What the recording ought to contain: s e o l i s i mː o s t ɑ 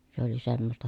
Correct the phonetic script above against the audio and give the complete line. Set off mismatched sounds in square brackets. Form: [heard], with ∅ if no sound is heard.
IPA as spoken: s e o l i s [e] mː o s t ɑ